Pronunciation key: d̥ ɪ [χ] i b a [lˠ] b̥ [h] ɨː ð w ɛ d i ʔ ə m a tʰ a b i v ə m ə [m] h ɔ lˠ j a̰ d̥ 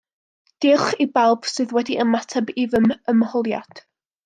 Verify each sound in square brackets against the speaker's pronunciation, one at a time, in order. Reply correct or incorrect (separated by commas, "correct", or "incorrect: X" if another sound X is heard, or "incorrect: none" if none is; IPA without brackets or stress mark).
correct, correct, incorrect: s, correct